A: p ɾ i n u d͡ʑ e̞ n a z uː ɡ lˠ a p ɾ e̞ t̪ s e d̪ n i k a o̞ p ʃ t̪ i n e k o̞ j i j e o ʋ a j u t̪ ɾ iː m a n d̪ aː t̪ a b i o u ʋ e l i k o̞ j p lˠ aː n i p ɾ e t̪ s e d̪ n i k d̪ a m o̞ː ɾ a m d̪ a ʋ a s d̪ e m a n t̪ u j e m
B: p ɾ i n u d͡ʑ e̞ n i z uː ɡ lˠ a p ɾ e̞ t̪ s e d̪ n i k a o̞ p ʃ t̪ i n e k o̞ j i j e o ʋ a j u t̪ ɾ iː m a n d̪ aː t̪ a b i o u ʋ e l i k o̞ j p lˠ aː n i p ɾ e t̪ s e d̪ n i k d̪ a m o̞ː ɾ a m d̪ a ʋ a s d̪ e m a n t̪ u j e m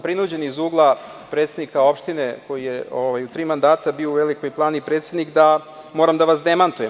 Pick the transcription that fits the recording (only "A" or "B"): B